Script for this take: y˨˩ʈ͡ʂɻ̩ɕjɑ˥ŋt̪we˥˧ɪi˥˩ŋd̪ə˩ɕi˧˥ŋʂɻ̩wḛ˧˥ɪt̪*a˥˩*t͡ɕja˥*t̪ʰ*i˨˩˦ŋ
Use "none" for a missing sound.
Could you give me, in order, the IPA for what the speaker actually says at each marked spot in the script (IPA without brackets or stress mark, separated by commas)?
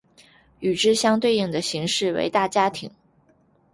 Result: a˥˩, t̪ʰ